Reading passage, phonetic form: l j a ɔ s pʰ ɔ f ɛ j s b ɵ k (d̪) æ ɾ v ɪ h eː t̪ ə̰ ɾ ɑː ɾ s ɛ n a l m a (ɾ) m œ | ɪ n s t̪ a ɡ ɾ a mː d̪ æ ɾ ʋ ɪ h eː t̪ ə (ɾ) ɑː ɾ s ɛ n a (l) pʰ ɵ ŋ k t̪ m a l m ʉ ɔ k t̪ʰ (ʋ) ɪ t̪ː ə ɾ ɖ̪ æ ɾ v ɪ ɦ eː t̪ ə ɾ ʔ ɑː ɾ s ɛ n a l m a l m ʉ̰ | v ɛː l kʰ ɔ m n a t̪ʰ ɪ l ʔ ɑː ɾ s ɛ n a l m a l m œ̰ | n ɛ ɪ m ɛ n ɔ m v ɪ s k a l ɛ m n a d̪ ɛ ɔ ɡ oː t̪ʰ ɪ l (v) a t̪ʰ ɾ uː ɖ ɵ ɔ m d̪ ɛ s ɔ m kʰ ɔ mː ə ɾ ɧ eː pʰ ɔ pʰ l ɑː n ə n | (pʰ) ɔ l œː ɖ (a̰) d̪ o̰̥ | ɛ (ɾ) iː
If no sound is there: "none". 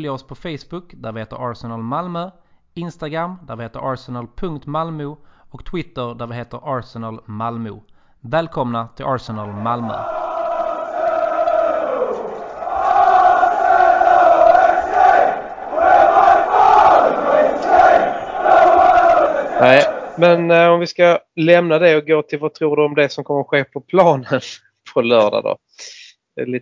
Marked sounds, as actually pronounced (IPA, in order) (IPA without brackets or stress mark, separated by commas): d̪, l, ɾ, l, w, v, pʰ, a̰, l